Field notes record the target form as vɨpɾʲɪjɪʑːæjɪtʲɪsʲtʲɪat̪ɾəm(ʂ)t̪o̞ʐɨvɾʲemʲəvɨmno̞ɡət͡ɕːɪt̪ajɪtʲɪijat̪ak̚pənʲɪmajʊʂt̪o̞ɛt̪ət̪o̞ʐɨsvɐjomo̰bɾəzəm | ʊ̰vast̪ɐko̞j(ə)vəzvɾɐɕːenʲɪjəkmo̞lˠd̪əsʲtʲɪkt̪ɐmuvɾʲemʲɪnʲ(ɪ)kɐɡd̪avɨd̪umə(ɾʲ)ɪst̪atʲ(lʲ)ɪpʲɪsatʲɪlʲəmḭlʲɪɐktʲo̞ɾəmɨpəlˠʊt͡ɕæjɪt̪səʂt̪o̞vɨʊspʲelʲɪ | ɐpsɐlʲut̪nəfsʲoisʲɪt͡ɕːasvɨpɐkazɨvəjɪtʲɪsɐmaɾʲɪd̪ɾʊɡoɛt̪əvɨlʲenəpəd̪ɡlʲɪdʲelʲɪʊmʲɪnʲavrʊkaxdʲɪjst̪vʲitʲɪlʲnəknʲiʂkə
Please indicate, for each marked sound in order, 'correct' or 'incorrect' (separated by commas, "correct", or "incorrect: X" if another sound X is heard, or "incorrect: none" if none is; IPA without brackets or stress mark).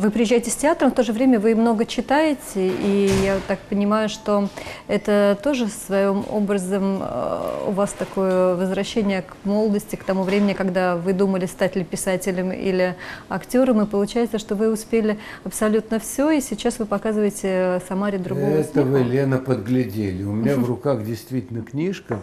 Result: incorrect: f, correct, correct, incorrect: lʲ, correct